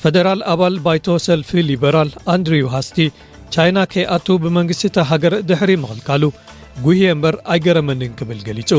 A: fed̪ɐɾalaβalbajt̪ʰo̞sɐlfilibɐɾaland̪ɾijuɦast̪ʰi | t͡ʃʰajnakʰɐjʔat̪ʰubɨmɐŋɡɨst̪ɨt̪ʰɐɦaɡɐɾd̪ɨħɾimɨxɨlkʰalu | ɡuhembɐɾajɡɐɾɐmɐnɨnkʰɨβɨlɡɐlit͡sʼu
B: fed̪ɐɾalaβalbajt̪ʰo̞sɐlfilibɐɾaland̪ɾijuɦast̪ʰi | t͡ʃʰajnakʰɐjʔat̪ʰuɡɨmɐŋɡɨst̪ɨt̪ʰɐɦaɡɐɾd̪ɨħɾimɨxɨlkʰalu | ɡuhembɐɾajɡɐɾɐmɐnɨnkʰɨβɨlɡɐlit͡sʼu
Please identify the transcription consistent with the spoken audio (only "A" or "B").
A